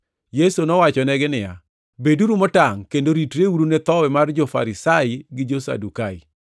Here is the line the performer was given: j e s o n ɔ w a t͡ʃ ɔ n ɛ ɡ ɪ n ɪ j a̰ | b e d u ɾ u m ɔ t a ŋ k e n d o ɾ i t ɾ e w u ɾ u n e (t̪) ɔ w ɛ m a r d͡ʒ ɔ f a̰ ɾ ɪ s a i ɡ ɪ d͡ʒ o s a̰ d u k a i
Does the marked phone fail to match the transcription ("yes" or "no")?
no